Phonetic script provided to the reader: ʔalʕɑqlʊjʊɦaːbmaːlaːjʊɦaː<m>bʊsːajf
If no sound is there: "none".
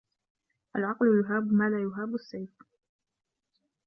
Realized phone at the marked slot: none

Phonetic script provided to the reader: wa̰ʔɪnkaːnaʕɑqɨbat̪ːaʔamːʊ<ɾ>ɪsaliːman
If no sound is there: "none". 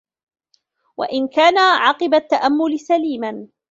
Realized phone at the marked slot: l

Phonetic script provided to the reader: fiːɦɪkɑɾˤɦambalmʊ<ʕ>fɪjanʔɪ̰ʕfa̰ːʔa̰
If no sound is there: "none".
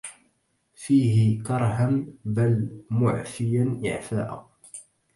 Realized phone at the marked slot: ʕ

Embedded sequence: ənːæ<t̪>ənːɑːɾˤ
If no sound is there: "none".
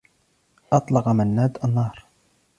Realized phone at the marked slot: d̪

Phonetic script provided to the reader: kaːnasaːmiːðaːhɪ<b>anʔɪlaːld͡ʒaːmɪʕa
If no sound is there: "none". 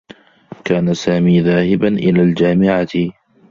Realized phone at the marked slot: b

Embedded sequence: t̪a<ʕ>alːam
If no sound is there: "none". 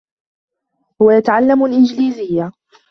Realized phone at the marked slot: ʕ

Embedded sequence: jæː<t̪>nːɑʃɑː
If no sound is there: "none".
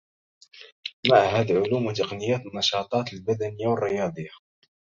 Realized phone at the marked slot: t̪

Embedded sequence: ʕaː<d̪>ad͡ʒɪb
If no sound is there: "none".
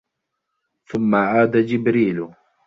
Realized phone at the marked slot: d̪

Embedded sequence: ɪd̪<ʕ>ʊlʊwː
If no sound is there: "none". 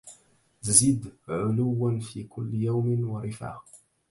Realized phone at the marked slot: ʕ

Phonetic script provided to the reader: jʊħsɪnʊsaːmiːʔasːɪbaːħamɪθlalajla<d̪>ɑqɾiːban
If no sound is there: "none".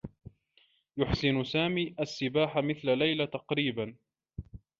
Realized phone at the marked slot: t̪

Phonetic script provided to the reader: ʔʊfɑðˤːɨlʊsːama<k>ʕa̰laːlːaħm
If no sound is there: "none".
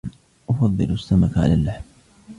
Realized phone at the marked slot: k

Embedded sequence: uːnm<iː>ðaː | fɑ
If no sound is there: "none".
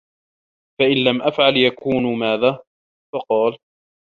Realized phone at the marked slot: aː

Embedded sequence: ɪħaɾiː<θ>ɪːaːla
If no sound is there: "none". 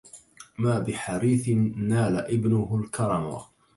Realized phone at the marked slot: θ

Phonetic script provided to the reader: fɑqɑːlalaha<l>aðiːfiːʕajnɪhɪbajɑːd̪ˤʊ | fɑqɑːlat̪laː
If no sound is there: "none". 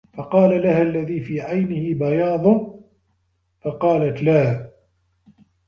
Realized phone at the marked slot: lː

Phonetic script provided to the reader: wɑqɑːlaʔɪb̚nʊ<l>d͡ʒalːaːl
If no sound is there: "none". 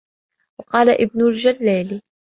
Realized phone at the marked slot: l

